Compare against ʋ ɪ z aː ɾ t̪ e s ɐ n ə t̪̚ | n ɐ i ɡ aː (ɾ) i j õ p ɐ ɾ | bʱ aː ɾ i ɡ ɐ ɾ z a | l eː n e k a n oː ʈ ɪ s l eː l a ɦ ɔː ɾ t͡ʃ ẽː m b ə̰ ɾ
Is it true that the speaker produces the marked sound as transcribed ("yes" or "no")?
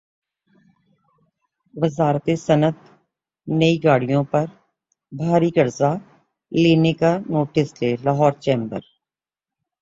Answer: no